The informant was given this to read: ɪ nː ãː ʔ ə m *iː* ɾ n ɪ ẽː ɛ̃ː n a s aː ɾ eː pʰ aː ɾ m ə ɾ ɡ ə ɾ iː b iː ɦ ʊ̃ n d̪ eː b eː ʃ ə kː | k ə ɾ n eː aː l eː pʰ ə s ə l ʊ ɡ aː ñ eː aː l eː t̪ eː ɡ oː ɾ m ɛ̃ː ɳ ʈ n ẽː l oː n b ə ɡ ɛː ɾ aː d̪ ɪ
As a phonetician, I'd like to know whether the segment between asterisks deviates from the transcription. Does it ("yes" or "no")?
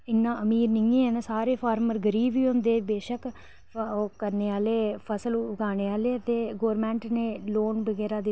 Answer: no